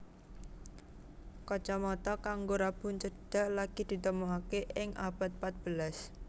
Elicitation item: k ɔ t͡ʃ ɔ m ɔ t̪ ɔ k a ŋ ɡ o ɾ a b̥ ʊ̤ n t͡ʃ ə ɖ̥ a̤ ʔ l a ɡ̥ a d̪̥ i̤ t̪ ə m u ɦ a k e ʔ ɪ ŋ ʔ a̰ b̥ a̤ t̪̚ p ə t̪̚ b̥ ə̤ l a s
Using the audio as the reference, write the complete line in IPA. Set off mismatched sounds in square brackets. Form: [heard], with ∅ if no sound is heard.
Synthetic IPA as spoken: k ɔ t͡ʃ ɔ m ɔ t̪ ɔ k a ŋ ɡ o ɾ a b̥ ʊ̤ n t͡ʃ ə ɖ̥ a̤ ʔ l a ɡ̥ [i] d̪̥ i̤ t̪ ə m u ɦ a k e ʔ ɪ ŋ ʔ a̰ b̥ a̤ t̪̚ p [a] t̪̚ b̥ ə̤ l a s